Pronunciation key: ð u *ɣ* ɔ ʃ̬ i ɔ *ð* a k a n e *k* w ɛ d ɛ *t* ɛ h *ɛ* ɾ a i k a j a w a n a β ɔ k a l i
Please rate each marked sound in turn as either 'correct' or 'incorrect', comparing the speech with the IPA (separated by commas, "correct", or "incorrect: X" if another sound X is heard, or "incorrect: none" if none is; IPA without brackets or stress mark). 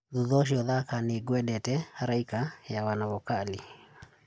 incorrect: ð, correct, incorrect: ɡ, correct, incorrect: a